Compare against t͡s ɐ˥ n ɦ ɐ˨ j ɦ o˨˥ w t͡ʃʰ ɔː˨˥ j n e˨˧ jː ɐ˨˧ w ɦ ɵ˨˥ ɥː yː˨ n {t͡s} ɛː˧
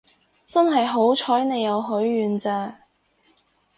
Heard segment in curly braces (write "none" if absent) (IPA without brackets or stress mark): t͡s